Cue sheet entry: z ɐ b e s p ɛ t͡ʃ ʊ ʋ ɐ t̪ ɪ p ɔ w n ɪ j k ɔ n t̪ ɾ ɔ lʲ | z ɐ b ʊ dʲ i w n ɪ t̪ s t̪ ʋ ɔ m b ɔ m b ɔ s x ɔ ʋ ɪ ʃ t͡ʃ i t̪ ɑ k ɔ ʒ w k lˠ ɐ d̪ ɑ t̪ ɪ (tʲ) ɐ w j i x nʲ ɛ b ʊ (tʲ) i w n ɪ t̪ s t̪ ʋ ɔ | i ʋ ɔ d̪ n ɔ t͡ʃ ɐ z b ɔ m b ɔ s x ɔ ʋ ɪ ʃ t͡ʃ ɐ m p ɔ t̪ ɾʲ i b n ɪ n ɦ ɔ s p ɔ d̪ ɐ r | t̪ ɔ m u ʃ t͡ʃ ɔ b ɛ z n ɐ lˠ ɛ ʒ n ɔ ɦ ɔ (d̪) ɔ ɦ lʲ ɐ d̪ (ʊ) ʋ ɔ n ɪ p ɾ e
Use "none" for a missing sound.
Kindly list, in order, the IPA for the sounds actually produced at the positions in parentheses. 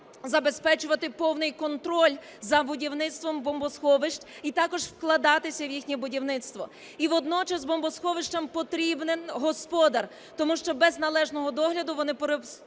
sʲ, dʲ, d̪, ʊ

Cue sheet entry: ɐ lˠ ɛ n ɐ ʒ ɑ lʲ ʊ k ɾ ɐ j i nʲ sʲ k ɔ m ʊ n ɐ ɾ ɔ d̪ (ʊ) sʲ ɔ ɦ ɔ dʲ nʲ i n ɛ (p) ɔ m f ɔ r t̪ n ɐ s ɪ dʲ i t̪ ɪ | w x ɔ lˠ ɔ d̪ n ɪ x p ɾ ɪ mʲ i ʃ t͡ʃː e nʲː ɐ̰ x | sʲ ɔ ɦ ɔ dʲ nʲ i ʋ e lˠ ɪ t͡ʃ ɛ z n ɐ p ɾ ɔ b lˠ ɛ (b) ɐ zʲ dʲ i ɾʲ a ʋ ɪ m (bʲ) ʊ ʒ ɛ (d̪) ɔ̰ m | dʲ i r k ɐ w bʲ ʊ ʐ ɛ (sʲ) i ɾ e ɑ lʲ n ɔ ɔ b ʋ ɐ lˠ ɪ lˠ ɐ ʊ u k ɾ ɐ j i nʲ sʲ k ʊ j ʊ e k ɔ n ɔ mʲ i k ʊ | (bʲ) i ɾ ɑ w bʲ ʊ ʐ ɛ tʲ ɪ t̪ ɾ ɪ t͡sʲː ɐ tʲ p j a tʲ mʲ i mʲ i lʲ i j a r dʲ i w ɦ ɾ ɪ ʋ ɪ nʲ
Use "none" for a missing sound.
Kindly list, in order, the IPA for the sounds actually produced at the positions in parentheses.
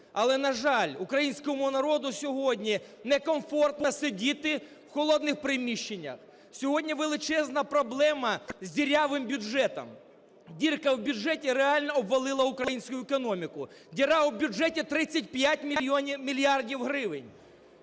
ʊ, k, m, bʲ, t̪, tʲ, dʲ

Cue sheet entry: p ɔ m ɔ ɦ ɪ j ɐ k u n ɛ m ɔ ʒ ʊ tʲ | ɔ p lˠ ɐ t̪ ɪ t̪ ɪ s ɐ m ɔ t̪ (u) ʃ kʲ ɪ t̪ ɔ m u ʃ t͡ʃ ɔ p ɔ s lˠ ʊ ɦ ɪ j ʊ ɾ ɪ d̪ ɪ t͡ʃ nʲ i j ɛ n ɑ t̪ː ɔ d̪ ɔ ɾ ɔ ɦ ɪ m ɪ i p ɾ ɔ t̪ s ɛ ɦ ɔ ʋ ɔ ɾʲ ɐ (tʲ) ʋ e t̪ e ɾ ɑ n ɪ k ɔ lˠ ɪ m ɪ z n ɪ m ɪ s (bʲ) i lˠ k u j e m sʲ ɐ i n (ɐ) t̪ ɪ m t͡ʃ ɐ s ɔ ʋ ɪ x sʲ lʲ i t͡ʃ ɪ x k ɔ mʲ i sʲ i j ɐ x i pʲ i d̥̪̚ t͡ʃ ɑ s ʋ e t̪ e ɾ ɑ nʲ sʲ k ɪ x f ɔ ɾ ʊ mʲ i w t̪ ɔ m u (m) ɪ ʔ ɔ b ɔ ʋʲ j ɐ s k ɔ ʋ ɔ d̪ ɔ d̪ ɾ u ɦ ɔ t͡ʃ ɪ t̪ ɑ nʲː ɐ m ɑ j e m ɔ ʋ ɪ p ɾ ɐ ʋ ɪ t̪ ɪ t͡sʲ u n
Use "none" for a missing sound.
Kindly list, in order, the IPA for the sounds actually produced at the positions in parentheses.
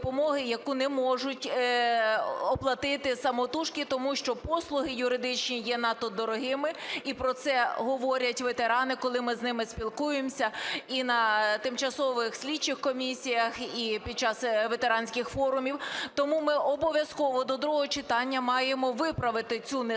u, tʲ, pʲ, ɐ, m

